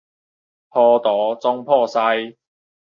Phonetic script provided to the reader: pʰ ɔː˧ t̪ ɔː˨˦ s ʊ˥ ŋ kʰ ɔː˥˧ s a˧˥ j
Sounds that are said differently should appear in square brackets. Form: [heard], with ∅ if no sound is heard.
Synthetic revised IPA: pʰ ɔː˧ t̪ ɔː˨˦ [t͡s] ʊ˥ ŋ [pʰ] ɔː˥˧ s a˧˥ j